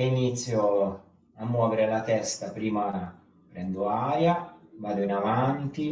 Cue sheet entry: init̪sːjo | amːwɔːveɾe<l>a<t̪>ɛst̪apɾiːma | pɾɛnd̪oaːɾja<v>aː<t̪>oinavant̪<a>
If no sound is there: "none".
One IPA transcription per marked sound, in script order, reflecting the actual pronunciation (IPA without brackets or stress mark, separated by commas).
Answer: l, t̪, v, d̪, i